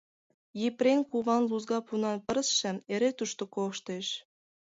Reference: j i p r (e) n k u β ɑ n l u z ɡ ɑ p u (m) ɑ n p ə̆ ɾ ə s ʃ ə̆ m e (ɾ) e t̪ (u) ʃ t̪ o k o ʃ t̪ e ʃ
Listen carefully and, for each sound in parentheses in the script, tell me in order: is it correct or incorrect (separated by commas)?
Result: correct, incorrect, correct, correct